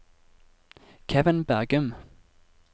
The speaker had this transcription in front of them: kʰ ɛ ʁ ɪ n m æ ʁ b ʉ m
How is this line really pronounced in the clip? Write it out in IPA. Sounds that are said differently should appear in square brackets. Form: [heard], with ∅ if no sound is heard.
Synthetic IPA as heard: kʰ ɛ [v] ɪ n [b] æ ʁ [ɡ] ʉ m

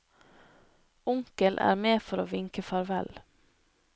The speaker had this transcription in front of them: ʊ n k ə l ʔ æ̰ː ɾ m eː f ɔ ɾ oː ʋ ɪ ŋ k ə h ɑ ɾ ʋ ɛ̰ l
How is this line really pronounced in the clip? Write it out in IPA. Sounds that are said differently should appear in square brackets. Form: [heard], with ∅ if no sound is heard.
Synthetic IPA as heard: ʊ [ŋ] k ə l ʔ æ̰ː ɾ m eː f ɔ ɾ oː ʋ ɪ ŋ k ə [f] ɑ ɾ ʋ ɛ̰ l

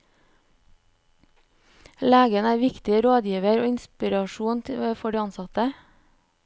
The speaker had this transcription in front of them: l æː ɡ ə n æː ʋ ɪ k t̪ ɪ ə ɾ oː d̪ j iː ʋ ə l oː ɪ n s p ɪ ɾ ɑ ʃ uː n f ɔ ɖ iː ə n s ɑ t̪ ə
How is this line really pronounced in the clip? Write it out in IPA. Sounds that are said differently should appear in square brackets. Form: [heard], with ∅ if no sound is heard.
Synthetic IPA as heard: l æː ɡ ə n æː ʋ ɪ k t̪ ɪ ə ɾ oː d̪ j iː ʋ ə [ɾ] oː ɪ n s p ɪ ɾ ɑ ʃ uː n f ɔ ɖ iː [ɑ] n s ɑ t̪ ə

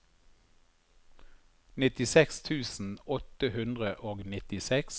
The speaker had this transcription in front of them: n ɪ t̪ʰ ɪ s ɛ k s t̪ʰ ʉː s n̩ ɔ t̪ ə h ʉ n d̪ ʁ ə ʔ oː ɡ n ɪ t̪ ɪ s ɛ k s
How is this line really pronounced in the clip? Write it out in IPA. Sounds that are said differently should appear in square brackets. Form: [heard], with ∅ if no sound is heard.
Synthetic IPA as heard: n ɪ [t̪] ɪ s ɛ k s t̪ʰ ʉː s n̩ ɔ t̪ ə h ʉ n d̪ ʁ ə ʔ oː ɡ n ɪ t̪ ɪ s ɛ k s

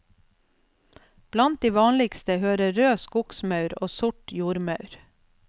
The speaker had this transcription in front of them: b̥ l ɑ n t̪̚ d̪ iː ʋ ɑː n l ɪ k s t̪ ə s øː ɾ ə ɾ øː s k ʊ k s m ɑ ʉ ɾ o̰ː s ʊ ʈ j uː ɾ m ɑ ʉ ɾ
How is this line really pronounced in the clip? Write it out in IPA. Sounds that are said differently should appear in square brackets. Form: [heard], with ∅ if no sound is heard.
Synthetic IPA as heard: b̥ l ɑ n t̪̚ d̪ iː ʋ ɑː n l ɪ k s t̪ ə [h] øː ɾ ə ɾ øː s k ʊ k s m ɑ ʉ ɾ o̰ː s ʊ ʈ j uː ɾ m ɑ ʉ ɾ

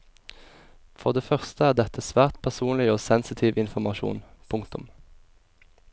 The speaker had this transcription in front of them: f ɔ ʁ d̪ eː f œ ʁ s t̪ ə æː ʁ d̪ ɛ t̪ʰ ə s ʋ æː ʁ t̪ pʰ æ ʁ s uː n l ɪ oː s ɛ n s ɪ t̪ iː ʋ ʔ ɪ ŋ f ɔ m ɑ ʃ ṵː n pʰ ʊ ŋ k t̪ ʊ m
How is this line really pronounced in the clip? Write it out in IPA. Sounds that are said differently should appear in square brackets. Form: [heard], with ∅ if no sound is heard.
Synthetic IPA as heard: f ɔ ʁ d̪ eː f œ ʁ s t̪ ə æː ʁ d̪ ɛ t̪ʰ ə s ʋ æː ʁ t̪ pʰ æ ʁ s uː n l ɪ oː s ɛ n s ɪ [t̪ʰ] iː ʋ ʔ ɪ [n] f ɔ m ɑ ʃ ṵː n pʰ ʊ ŋ k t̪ ʊ m

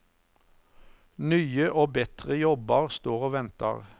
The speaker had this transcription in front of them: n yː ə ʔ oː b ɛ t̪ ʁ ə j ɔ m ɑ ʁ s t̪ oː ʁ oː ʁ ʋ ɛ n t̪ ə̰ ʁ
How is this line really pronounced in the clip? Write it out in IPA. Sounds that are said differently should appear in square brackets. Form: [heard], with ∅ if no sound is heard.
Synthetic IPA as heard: n yː ə ʔ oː b ɛ t̪ ʁ ə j ɔ [b] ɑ ʁ s t̪ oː ʁ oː [∅] ʋ ɛ n t̪ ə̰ ʁ

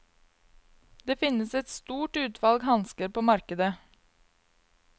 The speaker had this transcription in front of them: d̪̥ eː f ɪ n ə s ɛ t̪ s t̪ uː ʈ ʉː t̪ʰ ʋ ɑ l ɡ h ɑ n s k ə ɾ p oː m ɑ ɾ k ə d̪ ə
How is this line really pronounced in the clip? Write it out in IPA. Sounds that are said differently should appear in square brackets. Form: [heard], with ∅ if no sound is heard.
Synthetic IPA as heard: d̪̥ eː f ɪ n ə s ɛ t̪ s t̪ uː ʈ ʉː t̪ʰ ʋ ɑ l ɡ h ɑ n s k ə ɾ p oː m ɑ ɾ k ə d̪ ə

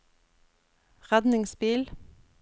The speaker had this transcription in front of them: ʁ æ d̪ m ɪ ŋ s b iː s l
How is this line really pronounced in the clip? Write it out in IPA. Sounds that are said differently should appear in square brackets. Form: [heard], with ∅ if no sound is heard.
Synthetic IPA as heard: ʁ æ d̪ [n] ɪ ŋ s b iː [∅] l

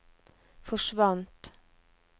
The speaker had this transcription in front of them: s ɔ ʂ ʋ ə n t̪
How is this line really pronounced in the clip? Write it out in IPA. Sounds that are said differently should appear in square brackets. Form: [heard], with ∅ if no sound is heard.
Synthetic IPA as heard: [f] ɔ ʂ ʋ [ɑ] n t̪

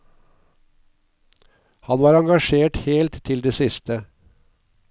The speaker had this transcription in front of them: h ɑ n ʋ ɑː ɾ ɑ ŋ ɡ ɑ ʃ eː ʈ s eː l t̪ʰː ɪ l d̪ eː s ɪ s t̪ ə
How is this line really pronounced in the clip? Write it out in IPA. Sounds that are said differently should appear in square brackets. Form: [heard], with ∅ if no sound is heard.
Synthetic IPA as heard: h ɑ n ʋ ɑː ɾ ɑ ŋ ɡ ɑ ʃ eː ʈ [h] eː l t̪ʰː ɪ l d̪ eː s ɪ s t̪ ə

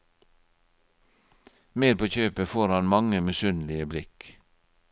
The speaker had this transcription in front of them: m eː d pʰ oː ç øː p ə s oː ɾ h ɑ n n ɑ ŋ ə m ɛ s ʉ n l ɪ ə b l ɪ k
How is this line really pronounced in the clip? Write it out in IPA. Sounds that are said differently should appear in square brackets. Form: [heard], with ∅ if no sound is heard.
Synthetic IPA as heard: m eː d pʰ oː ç øː p ə [f] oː ɾ h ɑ n [m] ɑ ŋ ə m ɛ s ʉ n l ɪ ə b l ɪ k

